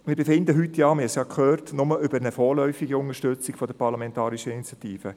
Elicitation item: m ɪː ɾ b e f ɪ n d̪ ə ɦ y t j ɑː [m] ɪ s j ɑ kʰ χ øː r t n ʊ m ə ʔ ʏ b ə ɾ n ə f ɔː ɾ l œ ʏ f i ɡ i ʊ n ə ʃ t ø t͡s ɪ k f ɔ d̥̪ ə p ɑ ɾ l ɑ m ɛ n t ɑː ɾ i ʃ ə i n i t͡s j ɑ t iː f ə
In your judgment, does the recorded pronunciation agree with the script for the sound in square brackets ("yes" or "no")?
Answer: yes